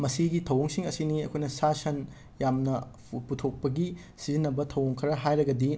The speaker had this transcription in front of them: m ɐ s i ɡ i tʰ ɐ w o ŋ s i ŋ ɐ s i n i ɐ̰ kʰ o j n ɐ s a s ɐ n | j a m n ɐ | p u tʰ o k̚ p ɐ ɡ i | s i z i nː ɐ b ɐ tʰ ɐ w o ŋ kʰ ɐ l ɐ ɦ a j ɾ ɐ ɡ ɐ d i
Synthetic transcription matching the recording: m ɐ s i ɡ i tʰ ɐ w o ŋ s i ŋ ɐ s i n i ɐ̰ kʰ o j n ɐ s a s ɐ n | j a m n ɐ | p u tʰ o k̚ p ɐ ɡ i | s i z i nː ɐ b ɐ tʰ ɐ w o ŋ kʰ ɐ ɾ ɐ ɦ a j ɾ ɐ ɡ ɐ d i